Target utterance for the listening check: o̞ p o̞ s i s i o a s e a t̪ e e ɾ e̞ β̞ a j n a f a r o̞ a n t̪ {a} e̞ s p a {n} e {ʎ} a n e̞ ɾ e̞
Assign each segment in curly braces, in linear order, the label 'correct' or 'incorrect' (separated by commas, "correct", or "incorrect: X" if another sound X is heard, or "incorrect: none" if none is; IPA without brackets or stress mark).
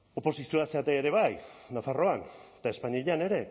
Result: correct, incorrect: ɲ, correct